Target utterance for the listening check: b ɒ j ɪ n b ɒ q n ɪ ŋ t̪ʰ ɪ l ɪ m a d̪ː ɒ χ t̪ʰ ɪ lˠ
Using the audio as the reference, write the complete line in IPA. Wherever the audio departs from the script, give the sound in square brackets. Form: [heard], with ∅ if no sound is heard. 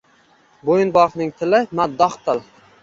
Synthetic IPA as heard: b [o] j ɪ n b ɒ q n ɪ ŋ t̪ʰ ɪ l ɪ m a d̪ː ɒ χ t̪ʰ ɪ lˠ